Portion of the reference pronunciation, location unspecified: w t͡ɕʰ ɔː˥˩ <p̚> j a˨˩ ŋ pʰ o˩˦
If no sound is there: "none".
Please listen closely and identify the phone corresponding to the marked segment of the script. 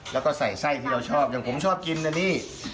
p̚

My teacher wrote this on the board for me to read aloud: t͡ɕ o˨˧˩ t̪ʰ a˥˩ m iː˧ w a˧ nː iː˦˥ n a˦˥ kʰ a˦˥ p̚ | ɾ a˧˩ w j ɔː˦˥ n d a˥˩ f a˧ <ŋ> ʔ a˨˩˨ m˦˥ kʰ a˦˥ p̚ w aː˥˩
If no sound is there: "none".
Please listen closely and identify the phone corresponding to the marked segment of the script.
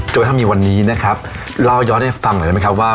ŋ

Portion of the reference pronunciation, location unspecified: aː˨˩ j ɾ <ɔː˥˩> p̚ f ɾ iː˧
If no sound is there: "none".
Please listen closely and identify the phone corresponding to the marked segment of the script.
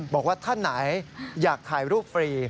uː˥˩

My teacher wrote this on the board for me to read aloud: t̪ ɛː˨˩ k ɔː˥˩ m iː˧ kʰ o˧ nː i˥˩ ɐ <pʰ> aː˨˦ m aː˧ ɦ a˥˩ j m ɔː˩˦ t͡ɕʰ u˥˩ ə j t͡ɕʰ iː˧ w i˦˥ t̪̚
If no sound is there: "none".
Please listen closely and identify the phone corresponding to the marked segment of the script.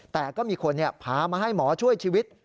pʰ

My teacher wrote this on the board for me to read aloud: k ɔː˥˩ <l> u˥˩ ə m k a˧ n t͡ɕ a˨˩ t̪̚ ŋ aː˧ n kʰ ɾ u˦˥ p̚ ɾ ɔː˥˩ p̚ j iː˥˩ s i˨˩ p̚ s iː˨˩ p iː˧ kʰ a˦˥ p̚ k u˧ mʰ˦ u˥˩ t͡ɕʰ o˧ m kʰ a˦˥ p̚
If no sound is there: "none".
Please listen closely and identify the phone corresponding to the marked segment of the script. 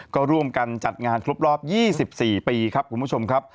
ɾ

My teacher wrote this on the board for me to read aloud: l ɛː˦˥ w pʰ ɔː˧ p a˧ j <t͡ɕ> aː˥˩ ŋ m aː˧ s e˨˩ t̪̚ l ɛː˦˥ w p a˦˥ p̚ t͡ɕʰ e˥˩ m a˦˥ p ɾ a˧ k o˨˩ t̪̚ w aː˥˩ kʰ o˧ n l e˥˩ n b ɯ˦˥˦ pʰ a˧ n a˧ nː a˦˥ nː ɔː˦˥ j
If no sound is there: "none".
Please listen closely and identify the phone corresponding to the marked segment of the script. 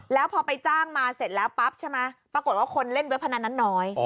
t͡ɕ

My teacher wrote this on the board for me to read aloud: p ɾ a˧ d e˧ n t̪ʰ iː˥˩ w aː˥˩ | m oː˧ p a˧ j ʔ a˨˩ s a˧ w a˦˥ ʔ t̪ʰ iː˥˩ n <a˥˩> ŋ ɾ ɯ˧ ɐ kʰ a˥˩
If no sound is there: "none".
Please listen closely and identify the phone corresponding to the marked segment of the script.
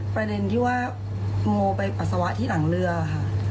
a˩˦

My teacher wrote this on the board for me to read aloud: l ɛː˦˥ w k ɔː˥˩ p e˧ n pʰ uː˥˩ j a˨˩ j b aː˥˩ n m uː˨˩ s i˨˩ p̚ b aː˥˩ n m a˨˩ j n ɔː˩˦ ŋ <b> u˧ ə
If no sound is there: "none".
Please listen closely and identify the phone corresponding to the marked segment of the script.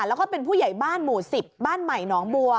b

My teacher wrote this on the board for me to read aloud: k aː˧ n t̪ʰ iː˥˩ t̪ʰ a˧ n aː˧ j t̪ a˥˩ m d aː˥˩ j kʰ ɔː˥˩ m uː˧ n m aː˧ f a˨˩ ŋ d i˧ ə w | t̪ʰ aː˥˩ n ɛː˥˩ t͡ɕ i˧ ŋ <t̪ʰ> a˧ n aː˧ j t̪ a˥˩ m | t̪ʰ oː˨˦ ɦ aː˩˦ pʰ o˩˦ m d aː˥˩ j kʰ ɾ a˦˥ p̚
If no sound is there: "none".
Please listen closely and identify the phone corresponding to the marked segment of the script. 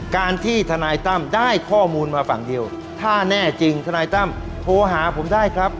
t̪ʰ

